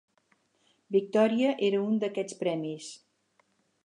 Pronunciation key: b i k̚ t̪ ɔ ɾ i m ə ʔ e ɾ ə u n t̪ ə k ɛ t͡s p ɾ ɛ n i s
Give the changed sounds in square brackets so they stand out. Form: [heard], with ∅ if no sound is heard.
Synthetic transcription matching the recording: b i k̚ t̪ ɔ ɾ i [∅] ə ʔ e ɾ ə u n [d̪] ə k ɛ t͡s p ɾ ɛ [m] i s